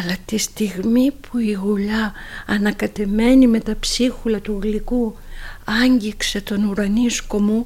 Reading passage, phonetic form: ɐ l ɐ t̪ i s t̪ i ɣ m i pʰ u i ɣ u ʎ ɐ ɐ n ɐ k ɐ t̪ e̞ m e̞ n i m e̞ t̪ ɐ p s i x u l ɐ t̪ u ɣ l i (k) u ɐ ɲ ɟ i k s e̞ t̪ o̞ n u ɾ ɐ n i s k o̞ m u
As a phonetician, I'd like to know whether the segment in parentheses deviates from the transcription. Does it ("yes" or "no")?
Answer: no